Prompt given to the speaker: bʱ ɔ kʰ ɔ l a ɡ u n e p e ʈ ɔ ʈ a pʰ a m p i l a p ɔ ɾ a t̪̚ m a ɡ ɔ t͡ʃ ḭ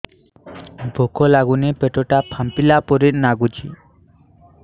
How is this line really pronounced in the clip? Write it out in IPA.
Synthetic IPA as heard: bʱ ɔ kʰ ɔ l a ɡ u n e p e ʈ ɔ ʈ a pʰ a m p i l a p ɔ ɾ i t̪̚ n a ɡ u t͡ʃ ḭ